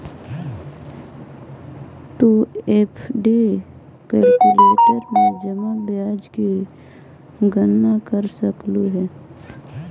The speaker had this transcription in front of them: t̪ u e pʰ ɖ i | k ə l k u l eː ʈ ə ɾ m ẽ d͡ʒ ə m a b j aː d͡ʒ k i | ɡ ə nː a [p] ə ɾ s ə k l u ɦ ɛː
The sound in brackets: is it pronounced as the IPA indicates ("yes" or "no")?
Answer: no